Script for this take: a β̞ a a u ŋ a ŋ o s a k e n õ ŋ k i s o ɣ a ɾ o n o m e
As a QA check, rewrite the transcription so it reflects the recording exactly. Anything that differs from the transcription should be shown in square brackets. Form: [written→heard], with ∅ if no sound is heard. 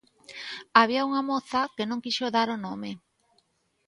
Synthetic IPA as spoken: a β̞ [a→i] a u ŋ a [ŋ→m] o [s→θ] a k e n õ ŋ k i [s→ʃ] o [ɣ→ð] a ɾ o n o m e